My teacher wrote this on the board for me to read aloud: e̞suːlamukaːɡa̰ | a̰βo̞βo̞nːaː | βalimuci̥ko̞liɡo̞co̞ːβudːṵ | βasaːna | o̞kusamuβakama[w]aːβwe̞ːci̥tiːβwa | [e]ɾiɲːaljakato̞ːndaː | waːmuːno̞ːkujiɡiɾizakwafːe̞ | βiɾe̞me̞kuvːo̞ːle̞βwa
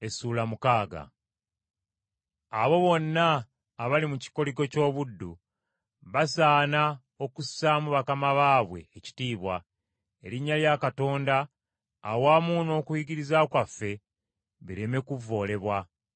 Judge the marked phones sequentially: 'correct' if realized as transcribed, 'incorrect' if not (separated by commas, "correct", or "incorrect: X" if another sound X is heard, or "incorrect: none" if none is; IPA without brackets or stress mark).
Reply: incorrect: β, correct